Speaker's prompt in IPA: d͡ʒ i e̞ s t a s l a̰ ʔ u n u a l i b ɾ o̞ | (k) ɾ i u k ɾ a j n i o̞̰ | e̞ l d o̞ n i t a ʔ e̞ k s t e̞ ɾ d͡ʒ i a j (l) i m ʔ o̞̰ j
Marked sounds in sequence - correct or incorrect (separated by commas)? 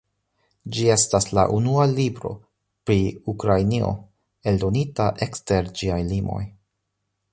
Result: incorrect, correct